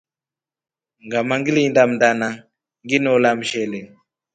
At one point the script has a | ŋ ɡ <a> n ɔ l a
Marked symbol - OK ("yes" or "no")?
no